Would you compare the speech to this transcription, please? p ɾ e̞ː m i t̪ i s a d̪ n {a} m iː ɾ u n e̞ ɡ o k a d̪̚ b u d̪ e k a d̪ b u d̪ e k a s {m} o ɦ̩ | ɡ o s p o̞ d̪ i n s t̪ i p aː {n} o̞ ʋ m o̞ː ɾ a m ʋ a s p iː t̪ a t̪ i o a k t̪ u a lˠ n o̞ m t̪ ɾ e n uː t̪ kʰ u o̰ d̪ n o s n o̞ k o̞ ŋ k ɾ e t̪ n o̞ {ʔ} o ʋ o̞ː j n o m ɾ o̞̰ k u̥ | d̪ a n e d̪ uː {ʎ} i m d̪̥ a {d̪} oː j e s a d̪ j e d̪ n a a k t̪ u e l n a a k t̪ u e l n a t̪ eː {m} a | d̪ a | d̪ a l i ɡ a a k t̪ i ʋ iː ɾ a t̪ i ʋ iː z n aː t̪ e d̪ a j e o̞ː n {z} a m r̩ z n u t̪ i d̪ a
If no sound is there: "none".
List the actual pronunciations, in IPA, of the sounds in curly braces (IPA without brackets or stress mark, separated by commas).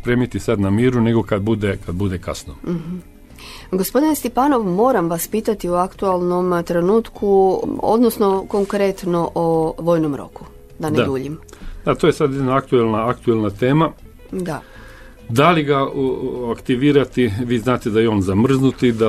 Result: a, n, n, ʔ, ʎ, t̪, m, z